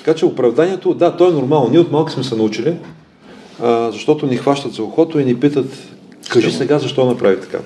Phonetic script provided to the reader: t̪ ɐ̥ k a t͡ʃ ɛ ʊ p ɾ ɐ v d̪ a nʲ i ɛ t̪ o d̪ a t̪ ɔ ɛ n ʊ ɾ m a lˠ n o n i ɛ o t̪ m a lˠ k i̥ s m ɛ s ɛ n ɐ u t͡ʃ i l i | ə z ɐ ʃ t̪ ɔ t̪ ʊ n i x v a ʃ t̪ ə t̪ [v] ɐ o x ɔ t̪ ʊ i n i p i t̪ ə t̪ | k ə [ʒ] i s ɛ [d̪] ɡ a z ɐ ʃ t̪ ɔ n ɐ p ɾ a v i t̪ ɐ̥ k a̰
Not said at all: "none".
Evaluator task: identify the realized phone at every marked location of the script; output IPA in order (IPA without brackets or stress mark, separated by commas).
z, ʒ, none